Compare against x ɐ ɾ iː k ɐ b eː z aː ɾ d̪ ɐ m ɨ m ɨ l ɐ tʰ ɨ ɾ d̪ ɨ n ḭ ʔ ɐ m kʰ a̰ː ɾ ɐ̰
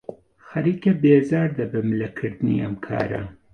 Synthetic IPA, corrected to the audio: x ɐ ɾ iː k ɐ b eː z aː ɾ d̪ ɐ b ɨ m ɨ l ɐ kʰ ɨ ɾ d̪ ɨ n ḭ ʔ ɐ m kʰ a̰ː ɾ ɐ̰